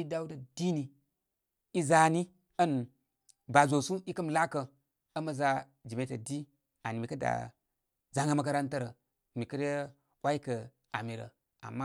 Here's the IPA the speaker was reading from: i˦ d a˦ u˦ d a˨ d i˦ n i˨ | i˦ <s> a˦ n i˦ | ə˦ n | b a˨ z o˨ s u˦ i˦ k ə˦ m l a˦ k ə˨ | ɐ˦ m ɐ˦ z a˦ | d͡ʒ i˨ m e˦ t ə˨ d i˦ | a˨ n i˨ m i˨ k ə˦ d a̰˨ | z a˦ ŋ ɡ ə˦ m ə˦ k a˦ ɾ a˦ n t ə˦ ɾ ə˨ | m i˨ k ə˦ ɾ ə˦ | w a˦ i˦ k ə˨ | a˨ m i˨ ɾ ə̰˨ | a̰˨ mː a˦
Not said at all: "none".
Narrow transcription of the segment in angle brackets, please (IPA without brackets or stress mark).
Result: z